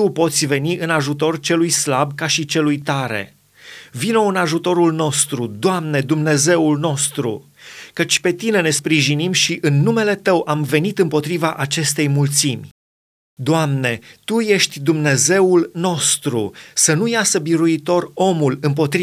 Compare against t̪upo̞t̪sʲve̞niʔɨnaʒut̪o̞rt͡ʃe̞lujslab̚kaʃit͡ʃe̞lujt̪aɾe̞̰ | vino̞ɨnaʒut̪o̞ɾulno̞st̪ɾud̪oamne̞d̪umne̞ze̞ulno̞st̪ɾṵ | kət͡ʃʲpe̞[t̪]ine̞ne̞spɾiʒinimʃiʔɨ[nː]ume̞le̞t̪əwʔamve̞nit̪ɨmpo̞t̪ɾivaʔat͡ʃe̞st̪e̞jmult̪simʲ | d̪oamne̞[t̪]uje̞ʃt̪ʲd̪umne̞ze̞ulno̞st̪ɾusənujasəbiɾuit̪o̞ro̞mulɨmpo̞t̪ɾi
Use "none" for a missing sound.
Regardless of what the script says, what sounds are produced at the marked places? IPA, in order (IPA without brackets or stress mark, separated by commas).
t̪, nː, t̪